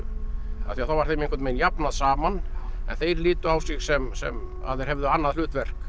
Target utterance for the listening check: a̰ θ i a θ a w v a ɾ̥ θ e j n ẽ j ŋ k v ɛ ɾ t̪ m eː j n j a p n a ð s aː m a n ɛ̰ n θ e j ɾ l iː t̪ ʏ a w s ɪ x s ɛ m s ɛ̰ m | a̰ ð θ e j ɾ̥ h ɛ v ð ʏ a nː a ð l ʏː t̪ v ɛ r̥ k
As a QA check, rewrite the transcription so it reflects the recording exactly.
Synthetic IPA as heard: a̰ θ i a θ a w v a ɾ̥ θ e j m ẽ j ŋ k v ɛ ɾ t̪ m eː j n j a p n a ð s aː m a n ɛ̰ n θ e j ɾ l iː t̪ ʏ a w s ɪ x s ɛ m s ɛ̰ m | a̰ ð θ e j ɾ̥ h ɛ v ð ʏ a nː a ð l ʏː t̪ v ɛ r̥ k